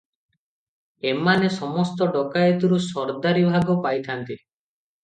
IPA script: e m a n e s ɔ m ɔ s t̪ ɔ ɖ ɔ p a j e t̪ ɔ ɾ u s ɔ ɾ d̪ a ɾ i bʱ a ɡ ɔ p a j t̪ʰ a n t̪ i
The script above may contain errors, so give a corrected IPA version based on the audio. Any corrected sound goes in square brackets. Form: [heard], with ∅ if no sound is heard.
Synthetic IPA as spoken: e m a n e s ɔ m ɔ s t̪ ɔ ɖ ɔ [k] a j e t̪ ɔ ɾ u s ɔ ɾ d̪ a ɾ i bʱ a ɡ ɔ p a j t̪ʰ a n t̪ i